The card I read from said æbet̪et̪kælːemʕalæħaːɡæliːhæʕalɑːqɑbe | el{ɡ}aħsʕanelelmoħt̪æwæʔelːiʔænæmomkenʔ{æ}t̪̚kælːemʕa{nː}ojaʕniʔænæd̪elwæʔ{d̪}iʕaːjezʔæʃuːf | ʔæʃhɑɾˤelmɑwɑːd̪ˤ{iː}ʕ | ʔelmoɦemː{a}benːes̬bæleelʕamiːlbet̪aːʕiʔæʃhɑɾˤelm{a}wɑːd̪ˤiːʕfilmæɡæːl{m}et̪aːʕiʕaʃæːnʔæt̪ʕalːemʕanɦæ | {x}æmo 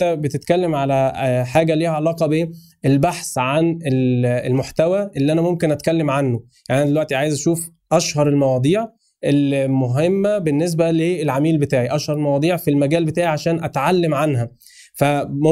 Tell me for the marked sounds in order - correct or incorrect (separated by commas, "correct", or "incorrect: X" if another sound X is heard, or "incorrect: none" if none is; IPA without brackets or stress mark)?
incorrect: b, correct, correct, incorrect: t̪, correct, incorrect: æ, incorrect: ɑ, incorrect: b, incorrect: f